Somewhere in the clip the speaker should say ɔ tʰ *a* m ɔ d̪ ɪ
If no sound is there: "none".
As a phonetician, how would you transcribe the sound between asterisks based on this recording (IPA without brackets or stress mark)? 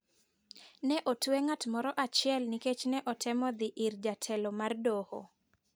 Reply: ɛ